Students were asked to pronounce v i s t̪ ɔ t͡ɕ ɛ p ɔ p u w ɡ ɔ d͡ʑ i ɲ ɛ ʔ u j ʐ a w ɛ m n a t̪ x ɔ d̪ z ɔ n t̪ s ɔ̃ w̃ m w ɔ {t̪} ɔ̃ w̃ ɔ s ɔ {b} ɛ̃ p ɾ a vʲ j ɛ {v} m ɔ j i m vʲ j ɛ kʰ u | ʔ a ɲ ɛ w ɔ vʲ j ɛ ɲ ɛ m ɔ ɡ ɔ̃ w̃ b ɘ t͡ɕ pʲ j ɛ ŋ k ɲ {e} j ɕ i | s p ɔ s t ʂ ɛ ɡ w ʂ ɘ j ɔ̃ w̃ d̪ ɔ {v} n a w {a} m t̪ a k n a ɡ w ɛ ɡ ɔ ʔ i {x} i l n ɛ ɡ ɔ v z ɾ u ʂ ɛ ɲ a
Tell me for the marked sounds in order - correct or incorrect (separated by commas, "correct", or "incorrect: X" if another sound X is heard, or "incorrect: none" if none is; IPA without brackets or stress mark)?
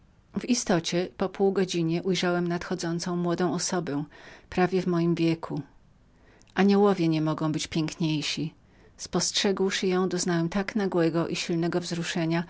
incorrect: d̪, correct, correct, correct, incorrect: z, incorrect: ɛ, incorrect: ɕ